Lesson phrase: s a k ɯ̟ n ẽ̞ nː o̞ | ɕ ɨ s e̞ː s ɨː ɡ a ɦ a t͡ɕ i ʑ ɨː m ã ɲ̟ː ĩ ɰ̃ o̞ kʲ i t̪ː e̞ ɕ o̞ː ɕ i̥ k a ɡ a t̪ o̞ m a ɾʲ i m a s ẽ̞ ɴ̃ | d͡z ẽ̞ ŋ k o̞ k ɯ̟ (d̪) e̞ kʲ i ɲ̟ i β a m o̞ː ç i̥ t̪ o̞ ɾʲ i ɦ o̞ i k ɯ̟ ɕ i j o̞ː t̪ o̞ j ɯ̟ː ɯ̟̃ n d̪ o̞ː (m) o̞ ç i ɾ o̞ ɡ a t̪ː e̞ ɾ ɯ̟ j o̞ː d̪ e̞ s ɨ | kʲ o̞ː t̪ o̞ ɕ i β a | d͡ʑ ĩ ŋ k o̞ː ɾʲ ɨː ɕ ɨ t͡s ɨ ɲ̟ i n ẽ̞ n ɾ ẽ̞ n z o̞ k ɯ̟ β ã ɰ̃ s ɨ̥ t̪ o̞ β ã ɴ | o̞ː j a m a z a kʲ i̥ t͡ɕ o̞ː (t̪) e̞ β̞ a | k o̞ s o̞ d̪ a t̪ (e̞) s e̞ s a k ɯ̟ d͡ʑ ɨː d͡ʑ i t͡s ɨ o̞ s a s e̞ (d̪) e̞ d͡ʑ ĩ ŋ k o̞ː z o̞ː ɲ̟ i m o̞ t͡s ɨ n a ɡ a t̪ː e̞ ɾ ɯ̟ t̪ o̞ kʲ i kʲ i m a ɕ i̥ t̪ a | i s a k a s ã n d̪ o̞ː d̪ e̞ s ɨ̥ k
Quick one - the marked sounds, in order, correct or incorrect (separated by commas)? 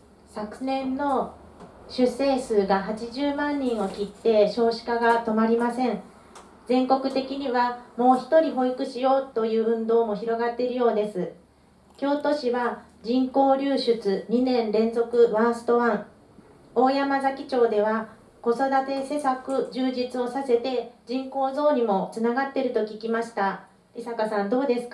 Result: incorrect, correct, incorrect, correct, incorrect